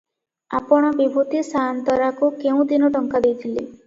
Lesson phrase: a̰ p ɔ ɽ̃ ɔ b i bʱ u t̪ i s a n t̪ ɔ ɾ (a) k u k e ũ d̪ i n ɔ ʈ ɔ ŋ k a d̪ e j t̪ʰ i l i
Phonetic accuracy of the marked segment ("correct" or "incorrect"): correct